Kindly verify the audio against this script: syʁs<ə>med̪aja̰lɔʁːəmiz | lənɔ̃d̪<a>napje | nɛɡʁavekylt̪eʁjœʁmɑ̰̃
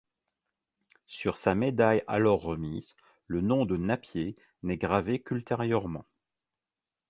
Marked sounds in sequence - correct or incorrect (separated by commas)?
incorrect, incorrect